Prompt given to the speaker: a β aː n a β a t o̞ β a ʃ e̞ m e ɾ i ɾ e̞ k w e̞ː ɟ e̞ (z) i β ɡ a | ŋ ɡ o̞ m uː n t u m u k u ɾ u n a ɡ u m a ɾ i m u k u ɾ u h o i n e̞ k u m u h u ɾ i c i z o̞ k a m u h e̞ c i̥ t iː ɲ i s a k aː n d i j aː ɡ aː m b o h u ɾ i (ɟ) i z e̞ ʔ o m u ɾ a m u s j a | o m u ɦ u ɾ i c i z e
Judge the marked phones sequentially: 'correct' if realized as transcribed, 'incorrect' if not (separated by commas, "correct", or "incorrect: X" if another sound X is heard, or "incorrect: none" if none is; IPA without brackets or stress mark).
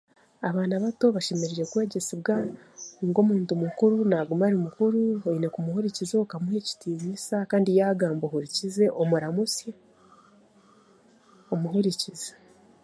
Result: incorrect: s, incorrect: c